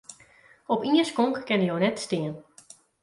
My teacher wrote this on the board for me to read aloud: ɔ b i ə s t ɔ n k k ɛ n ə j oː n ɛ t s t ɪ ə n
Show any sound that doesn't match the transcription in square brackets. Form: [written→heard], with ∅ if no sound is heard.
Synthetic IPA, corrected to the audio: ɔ [b→p] i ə s [t→k] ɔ [n→ŋ] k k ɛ n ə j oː n ɛ t s t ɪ ə n